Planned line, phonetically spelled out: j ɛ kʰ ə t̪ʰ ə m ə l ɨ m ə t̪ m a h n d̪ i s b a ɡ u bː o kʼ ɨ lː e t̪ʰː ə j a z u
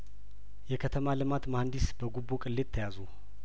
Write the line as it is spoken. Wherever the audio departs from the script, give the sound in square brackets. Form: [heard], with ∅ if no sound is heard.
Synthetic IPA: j ɛ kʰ ə t̪ʰ ə m [a] l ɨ m [a] t̪ m a h n d̪ i s b [ə] ɡ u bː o kʼ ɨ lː e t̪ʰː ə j a z u